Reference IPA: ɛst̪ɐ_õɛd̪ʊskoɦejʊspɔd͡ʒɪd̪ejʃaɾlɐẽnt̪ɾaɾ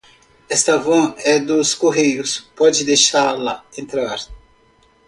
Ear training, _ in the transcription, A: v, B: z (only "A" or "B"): A